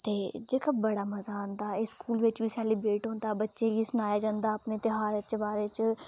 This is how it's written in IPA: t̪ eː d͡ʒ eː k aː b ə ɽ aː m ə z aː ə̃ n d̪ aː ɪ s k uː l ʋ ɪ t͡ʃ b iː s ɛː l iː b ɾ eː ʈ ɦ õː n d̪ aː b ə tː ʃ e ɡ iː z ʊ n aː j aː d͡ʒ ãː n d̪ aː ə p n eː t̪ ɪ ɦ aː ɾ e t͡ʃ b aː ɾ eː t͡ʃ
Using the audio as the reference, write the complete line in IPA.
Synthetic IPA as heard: t̪ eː d͡ʒ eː k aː b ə ɽ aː m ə z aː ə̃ n d̪ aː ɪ s k uː l ʋ ɪ t͡ʃ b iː s ɛː l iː b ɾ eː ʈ ɦ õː n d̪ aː b ə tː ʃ e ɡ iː s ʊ n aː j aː d͡ʒ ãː n d̪ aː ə p n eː t̪ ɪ ɦ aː ɾ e t͡ʃ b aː ɾ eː t͡ʃ